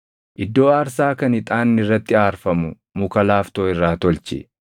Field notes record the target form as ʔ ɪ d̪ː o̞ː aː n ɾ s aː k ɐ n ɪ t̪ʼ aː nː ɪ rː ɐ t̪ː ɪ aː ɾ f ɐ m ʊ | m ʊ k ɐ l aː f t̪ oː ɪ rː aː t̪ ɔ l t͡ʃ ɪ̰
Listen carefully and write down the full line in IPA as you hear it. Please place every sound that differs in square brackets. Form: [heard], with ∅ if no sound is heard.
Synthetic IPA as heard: ʔ ɪ d̪ː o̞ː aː [∅] ɾ s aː k ɐ n ɪ t̪ʼ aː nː ɪ rː ɐ t̪ː ɪ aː ɾ f ɐ m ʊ | m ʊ k ɐ l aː f t̪ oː ɪ rː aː t̪ ɔ l t͡ʃ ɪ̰